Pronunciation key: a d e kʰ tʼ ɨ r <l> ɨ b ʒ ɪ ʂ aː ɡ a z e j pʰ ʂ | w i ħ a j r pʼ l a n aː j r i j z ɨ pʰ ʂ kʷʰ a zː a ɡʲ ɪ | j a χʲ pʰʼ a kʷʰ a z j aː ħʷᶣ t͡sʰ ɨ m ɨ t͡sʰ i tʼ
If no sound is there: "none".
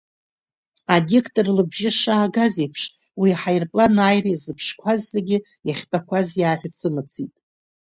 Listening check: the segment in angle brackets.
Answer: l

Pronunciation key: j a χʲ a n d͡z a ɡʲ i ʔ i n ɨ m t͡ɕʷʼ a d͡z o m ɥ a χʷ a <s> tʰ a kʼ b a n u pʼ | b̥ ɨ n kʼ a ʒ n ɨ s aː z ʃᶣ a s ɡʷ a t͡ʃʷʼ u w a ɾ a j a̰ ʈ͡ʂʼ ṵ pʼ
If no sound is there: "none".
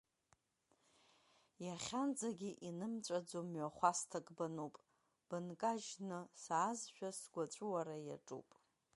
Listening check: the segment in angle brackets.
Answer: s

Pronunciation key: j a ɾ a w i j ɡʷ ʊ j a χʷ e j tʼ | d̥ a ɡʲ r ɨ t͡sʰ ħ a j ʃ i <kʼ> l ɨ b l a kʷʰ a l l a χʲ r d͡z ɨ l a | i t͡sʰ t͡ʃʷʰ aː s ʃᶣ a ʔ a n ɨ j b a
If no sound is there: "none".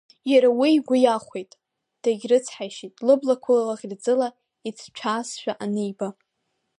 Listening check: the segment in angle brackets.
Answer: tʼ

